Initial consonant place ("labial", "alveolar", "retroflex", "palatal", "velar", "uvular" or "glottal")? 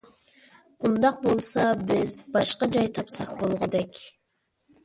alveolar